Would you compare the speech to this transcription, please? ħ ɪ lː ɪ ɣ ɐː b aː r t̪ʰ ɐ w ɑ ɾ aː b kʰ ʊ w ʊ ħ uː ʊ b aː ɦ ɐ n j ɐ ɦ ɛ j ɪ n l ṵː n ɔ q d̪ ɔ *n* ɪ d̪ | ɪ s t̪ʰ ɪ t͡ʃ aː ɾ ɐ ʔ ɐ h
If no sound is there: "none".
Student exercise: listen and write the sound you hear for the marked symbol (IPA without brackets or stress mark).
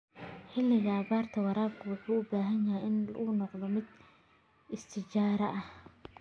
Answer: m